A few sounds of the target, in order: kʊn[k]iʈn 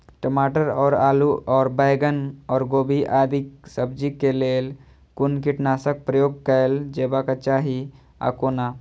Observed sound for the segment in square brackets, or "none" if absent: k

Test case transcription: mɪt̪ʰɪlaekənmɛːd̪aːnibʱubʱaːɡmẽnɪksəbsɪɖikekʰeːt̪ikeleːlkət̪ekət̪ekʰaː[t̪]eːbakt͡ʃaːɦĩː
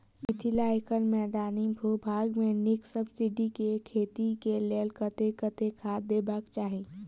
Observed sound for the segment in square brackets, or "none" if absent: d̪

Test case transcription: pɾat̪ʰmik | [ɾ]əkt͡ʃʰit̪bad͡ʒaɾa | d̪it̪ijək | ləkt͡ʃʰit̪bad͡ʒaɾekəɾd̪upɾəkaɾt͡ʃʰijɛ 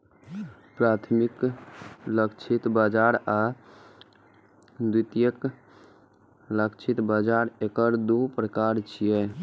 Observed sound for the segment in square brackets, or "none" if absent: l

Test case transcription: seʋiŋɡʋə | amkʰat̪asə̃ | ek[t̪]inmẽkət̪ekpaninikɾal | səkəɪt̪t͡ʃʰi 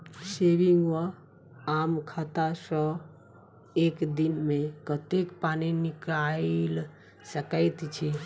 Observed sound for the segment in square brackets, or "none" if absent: d̪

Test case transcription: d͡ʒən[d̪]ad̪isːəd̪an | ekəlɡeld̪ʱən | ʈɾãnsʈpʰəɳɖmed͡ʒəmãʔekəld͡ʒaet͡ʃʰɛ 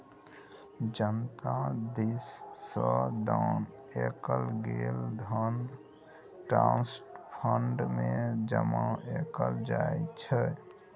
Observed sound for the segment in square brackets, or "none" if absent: t̪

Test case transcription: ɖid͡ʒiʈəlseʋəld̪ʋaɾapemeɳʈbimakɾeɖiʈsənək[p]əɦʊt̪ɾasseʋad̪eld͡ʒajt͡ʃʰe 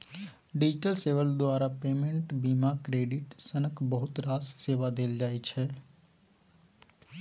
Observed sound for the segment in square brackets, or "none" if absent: b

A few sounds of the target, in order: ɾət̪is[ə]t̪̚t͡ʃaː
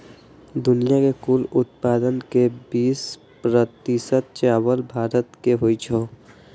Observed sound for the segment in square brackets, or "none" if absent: ə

